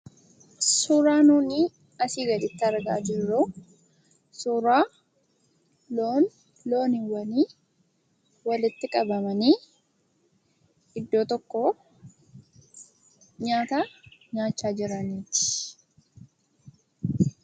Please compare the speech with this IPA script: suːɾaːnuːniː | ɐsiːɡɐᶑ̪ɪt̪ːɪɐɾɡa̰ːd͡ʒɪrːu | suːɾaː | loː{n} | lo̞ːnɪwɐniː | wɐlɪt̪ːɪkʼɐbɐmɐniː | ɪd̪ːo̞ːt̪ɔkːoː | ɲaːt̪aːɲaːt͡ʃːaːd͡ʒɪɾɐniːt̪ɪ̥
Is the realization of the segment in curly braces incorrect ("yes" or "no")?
no